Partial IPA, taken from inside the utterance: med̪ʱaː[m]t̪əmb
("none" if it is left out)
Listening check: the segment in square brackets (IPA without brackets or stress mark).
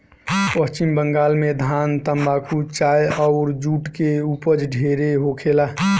n